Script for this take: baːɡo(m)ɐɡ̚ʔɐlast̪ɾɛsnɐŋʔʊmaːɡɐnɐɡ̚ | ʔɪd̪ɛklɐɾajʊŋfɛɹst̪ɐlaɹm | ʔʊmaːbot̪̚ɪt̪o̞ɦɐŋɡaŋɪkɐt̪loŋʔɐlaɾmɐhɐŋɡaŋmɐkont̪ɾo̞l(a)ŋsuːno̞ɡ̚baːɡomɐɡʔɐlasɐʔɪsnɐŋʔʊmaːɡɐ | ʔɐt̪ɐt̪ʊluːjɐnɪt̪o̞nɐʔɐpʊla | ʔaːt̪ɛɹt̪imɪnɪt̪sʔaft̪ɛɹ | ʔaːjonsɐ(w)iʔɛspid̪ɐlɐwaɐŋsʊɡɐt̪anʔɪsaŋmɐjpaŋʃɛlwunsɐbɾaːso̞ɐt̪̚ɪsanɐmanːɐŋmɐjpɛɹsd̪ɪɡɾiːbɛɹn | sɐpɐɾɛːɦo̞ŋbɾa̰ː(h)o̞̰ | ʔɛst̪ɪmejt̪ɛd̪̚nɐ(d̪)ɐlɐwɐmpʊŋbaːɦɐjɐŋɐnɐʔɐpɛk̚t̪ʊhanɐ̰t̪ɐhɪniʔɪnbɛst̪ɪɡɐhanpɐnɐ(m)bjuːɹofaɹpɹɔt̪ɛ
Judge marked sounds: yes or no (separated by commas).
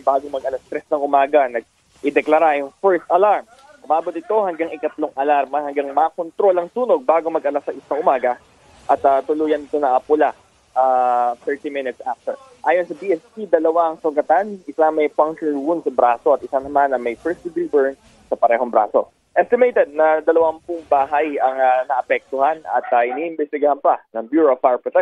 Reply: yes, no, no, no, yes, no